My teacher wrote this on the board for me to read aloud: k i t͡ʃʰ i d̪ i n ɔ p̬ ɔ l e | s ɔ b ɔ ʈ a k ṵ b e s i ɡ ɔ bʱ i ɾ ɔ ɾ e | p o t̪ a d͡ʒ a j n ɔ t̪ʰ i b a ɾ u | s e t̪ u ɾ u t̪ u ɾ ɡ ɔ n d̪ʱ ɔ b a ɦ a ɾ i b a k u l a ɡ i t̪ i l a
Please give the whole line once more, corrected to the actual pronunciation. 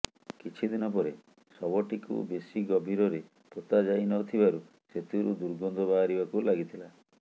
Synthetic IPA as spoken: k i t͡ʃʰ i d̪ i n ɔ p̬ ɔ ɾ e | s ɔ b ɔ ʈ i k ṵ b e s i ɡ ɔ bʱ i ɾ ɔ ɾ e | p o t̪ a d͡ʒ a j n ɔ t̪ʰ i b a ɾ u | s e t̪ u ɾ u d̪ u ɾ ɡ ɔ n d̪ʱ ɔ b a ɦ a ɾ i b a k u l a ɡ i t̪ʰ i l a